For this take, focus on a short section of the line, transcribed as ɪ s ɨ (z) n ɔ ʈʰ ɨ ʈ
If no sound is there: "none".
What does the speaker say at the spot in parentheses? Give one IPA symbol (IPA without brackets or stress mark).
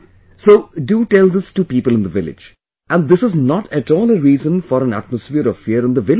z